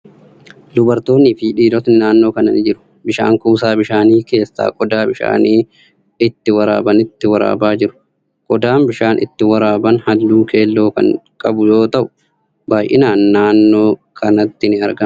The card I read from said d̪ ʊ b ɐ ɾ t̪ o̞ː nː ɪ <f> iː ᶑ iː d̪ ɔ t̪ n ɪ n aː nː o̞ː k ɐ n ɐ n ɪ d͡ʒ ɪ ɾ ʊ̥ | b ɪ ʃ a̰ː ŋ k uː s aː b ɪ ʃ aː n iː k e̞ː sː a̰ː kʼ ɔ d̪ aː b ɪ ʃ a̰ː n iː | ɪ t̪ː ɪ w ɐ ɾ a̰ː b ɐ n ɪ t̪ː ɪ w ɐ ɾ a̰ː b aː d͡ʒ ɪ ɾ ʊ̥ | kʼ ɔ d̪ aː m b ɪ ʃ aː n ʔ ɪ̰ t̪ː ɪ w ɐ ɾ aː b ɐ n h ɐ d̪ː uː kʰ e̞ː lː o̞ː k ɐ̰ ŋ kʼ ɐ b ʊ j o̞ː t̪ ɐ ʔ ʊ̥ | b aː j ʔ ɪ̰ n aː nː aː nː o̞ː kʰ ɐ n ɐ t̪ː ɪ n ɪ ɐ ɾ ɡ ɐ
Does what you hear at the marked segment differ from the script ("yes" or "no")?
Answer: no